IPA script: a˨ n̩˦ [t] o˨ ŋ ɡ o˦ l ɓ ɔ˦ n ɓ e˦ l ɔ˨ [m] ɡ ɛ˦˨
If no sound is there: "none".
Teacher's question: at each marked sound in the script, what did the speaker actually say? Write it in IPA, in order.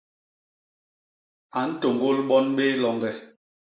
t, ŋ

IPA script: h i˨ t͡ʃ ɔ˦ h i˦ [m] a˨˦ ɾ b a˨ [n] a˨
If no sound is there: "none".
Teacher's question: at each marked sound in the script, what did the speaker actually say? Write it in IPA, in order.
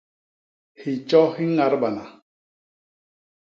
ŋ, n

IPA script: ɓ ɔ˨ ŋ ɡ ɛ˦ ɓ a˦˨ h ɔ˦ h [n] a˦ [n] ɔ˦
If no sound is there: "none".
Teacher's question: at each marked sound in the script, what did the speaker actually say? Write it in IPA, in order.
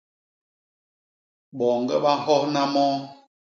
n, m

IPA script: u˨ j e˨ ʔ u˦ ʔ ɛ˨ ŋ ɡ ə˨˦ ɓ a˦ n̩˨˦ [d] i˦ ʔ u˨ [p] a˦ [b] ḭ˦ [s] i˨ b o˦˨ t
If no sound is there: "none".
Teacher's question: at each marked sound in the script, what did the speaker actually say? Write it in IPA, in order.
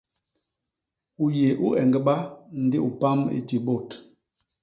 d, p, m, t

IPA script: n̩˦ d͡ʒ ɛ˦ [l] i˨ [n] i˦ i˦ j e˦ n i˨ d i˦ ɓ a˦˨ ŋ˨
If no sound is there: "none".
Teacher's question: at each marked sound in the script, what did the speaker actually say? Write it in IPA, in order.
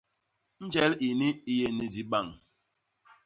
l, n

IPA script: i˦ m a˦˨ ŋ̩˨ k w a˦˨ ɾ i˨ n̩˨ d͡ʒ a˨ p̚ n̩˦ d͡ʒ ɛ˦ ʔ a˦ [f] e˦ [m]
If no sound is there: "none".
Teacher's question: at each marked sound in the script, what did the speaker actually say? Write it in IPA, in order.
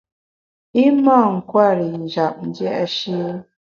ʃ, none

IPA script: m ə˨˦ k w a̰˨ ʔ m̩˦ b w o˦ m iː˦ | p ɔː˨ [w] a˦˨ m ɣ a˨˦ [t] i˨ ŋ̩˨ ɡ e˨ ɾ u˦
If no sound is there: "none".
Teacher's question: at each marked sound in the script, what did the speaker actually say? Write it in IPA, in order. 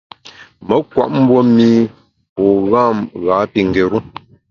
ɣ, p

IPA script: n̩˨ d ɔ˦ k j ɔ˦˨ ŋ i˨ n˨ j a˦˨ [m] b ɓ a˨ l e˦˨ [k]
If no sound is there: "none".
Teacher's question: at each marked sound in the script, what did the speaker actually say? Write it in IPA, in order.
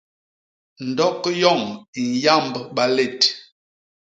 m, t

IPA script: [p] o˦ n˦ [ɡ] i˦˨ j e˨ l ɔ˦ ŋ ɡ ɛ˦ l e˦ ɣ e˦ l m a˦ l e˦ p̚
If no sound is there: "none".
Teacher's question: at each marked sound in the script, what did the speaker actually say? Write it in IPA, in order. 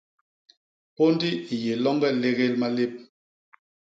p, d

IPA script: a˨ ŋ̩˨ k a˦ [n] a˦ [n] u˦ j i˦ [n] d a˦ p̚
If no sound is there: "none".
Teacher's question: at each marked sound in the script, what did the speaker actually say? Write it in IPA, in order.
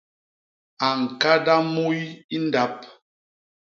d, m, n

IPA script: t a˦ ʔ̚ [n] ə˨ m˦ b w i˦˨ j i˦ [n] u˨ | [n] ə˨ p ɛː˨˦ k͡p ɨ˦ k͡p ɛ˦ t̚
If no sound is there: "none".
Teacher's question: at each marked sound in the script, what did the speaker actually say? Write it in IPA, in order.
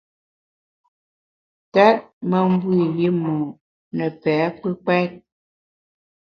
m, m, n

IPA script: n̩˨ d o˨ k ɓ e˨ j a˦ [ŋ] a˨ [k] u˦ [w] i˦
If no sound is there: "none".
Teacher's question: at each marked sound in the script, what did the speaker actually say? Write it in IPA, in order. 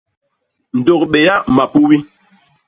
m, p, w

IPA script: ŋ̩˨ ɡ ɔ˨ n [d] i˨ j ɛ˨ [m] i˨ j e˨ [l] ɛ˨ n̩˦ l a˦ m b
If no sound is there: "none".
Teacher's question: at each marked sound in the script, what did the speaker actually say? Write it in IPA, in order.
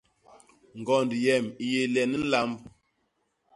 d, m, l

